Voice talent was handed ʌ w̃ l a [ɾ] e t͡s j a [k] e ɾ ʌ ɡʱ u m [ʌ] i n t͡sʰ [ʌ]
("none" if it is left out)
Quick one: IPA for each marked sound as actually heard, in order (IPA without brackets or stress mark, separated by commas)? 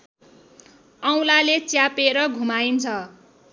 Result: l, p, a, ʌ